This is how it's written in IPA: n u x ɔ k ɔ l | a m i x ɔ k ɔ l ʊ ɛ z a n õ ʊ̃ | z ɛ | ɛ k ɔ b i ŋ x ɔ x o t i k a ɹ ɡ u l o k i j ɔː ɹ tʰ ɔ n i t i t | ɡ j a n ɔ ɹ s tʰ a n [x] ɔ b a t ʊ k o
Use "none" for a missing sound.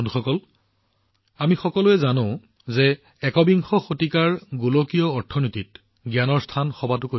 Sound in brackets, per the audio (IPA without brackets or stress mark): x